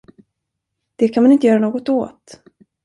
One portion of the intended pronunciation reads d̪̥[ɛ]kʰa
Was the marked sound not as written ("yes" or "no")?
no